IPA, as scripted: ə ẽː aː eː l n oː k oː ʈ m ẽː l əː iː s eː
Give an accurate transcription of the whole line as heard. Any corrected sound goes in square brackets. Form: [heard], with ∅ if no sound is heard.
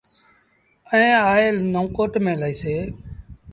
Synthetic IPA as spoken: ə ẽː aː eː l n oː k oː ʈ m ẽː l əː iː s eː